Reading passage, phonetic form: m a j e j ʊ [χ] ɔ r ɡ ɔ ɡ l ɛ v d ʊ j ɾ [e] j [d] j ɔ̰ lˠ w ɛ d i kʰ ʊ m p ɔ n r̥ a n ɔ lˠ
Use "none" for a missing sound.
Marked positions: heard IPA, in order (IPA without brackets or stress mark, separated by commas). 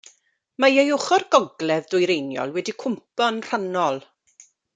χ, e, n